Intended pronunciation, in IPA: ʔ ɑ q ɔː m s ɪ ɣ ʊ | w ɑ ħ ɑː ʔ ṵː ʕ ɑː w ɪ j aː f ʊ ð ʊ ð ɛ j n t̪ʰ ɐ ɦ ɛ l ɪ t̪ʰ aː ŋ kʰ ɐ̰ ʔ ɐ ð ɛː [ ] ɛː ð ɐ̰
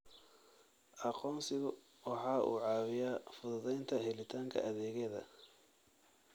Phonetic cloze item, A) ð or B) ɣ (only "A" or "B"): B